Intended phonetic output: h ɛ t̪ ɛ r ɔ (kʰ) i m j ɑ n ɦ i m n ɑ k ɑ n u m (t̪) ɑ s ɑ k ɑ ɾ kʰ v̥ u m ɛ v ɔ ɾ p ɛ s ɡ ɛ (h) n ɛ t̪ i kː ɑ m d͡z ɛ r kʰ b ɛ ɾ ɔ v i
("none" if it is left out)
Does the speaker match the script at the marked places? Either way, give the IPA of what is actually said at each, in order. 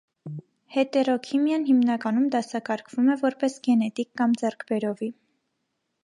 kʰ, d̪, none

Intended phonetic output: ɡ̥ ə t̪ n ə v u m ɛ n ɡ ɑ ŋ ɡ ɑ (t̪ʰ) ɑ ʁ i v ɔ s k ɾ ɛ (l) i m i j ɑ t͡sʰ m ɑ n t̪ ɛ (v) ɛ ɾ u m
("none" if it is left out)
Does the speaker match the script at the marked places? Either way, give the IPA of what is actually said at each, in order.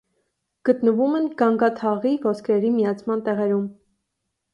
t̪ʰ, ɾ, ʁ

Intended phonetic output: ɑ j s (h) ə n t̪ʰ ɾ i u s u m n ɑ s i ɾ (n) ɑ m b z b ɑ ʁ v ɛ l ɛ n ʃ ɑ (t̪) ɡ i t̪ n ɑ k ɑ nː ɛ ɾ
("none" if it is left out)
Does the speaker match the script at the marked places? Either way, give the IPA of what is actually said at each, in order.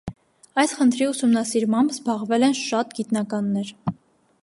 χ, m, t̪

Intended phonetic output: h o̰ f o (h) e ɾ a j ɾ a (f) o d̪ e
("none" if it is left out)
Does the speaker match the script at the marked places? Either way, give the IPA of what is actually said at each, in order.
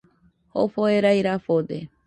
none, f

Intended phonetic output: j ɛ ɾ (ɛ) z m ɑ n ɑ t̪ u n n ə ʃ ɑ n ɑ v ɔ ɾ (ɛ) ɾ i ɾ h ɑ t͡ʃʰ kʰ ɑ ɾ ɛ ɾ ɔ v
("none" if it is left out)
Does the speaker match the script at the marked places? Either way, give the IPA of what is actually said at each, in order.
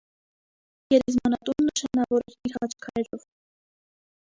ɛ, ɛ

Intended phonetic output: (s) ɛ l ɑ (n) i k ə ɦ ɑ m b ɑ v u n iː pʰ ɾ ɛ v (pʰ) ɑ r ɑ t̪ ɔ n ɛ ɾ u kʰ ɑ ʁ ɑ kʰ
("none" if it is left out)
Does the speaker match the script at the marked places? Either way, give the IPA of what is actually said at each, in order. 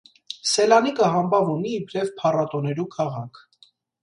s, n, pʰ

